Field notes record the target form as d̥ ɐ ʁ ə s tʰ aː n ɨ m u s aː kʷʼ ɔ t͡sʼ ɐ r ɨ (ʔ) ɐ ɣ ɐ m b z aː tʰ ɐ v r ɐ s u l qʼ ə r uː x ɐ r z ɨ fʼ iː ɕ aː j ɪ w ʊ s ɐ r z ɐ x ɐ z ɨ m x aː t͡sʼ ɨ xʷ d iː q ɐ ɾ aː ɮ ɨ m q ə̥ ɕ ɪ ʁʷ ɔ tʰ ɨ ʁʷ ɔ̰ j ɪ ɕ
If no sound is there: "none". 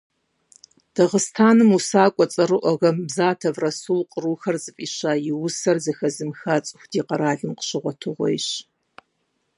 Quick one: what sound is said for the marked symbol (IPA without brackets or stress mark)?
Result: ʔ